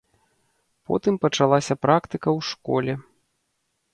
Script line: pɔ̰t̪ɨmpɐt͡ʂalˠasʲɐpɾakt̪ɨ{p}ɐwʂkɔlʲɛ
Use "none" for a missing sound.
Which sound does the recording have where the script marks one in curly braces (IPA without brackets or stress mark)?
k